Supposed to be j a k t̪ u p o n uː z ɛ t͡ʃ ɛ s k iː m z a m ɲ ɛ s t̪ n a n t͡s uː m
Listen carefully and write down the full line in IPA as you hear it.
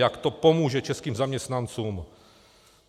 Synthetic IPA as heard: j a k t̪ o p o m uː ʒ ɛ t͡ʃ ɛ s k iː m z a m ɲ ɛ s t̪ n a n t͡s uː m